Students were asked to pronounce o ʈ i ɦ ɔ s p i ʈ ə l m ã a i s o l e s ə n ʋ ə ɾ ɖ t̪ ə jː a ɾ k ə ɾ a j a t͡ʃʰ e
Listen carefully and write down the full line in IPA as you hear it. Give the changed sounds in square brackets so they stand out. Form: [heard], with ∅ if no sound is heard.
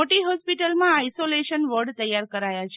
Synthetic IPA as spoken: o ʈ i ɦ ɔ s p i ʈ ə l m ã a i s o l e [ʃ] ə n ʋ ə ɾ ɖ t̪ ə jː a ɾ k ə ɾ a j a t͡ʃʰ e